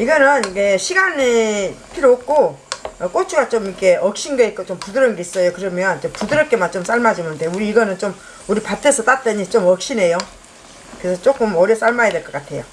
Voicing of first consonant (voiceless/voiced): voiced